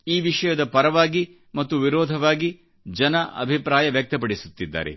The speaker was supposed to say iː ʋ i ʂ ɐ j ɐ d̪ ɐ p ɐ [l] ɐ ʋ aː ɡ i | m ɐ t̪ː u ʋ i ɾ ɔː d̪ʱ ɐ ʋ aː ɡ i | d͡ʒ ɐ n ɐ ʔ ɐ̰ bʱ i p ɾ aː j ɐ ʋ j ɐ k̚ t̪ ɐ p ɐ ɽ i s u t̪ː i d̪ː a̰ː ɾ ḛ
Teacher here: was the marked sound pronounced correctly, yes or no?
no